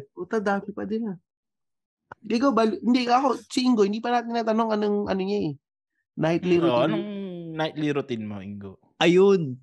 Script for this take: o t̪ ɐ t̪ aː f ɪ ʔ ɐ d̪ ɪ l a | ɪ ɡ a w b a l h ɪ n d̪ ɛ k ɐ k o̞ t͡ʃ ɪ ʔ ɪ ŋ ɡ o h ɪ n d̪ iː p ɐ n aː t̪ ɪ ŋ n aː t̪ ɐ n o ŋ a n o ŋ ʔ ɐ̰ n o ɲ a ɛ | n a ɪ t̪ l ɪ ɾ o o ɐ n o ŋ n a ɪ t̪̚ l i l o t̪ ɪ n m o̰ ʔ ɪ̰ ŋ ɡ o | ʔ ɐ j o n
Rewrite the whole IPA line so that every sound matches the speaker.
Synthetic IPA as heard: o t̪ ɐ d̪ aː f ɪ p ɐ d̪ ɪ l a | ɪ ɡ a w b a l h ɪ n d̪ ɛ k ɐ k o̞ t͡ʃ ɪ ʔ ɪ ŋ ɡ o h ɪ n d̪ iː p ɐ n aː t̪ ɪ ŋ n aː t̪ ɐ n o ŋ ɐ n o ŋ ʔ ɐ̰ n o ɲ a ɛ | n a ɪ t̪ l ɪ ɾ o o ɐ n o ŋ n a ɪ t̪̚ l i ɾ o t̪ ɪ n m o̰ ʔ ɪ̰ ŋ ɡ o | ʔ ɐ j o n